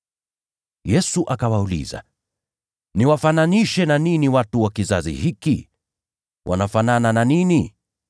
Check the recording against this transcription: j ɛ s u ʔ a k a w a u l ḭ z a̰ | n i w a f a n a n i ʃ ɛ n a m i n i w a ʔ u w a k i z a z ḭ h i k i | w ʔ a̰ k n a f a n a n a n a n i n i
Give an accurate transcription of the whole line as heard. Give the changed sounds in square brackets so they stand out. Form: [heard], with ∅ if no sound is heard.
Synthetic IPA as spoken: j ɛ s u ʔ a k a w a u l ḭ z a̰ | n i w a f a n a n i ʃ ɛ n a [n] i n i w a [t] u w a k i z a z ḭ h i k i | w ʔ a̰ [∅] n a f a n a n a n a n i n i